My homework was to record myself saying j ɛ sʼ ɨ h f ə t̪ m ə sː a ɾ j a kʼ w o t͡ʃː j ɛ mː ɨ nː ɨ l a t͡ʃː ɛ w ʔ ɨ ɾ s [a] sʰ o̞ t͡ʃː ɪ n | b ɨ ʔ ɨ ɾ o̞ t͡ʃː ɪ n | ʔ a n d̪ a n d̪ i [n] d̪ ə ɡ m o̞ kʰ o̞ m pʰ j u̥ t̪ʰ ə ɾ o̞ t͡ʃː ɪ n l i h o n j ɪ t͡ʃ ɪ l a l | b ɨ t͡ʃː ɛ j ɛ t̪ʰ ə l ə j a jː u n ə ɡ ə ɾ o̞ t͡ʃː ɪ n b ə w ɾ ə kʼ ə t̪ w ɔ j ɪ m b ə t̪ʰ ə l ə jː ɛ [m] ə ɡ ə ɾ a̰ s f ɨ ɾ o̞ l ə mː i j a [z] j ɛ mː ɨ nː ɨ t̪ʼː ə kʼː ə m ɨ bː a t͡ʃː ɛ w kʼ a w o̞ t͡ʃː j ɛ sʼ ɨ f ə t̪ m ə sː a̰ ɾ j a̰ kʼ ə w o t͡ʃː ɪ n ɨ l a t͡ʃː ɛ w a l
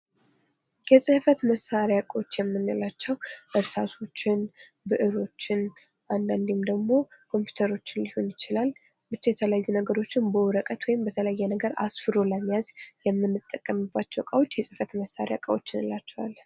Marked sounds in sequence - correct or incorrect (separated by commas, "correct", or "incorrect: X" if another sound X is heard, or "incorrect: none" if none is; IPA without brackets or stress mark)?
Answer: correct, incorrect: m, incorrect: n, correct